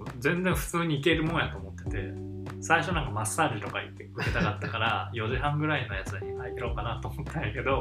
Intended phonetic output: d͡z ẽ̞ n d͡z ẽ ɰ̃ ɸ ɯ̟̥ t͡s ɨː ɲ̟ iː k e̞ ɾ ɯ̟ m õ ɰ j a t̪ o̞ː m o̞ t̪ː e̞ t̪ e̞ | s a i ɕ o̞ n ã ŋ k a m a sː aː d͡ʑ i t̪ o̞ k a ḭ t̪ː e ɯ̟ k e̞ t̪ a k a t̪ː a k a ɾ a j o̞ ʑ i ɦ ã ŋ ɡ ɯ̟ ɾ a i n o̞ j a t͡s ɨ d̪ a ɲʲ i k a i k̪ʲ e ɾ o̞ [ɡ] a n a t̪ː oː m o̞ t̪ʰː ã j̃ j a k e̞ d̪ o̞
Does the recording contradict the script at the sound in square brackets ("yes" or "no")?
yes